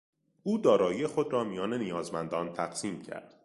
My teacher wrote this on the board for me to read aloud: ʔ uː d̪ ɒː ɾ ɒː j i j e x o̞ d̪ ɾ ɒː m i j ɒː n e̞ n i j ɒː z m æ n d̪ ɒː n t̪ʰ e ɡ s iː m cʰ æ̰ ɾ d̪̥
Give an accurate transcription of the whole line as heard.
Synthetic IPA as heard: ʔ uː d̪ ɒː ɾ ɒː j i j e x o̞ d̪ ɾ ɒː m i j ɒː n e̞ n i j ɒː z m æ n d̪ ɒː n t̪ʰ æ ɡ s iː m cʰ æ̰ ɾ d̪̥